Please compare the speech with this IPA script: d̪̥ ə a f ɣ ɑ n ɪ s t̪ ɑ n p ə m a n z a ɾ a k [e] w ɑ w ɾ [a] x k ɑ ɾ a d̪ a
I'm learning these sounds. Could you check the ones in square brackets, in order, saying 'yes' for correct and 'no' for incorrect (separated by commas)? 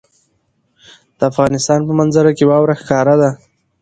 yes, yes